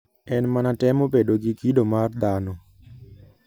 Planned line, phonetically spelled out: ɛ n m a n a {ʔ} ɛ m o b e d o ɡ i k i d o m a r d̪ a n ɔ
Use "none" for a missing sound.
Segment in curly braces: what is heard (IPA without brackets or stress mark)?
t